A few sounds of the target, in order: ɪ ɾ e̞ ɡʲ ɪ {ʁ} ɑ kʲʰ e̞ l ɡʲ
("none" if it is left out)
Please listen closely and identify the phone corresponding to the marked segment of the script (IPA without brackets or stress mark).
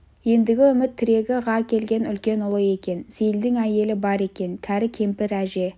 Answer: ʁ